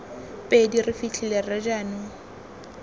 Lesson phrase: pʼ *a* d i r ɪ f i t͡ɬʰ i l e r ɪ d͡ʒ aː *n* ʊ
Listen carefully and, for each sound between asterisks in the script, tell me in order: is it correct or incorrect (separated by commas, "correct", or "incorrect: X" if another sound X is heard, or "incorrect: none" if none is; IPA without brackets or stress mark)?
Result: incorrect: e, correct